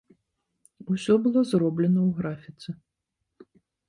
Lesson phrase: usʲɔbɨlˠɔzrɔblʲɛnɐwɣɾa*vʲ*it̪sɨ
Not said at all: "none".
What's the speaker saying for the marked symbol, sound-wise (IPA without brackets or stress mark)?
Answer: fʲ